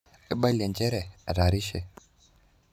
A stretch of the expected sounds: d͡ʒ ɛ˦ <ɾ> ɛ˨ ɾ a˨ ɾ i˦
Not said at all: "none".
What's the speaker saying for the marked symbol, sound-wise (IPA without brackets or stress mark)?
ɾ